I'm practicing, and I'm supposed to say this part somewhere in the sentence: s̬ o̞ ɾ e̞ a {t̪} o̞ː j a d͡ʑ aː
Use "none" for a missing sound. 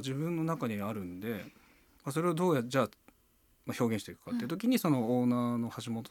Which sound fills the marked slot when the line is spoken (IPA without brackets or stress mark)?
d̪